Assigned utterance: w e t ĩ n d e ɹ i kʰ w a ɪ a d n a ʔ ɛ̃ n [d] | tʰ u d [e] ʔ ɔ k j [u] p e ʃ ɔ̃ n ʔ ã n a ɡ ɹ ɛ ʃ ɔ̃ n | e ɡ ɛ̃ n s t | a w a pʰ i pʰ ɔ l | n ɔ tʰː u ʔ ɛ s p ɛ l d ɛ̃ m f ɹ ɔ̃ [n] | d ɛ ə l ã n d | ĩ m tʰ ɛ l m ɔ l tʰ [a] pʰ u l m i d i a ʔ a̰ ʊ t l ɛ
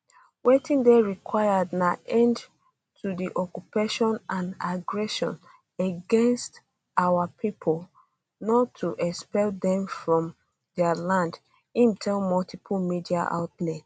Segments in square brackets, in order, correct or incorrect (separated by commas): correct, incorrect, correct, incorrect, incorrect